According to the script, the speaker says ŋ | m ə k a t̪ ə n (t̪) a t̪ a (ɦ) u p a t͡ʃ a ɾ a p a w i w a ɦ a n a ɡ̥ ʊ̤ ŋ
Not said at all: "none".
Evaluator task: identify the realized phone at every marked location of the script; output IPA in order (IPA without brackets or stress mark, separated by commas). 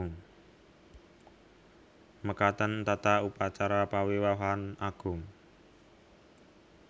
t̪, none